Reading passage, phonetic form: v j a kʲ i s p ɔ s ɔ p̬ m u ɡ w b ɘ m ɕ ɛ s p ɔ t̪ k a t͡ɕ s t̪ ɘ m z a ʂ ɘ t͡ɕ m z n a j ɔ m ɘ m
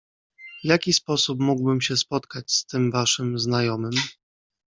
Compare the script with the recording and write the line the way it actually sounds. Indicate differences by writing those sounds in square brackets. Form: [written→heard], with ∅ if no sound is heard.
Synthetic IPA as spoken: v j a kʲ i s p ɔ s [ɔ→u] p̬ m u ɡ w b ɘ m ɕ ɛ s p ɔ t̪ k a t͡ɕ s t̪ ɘ m [z→v] a ʂ ɘ [t͡ɕ→∅] m z n a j ɔ m ɘ m